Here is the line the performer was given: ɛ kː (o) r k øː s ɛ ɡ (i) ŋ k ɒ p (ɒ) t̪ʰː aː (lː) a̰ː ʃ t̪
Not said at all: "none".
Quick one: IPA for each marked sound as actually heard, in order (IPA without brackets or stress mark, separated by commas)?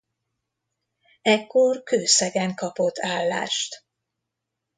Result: o, ɛ, o, lː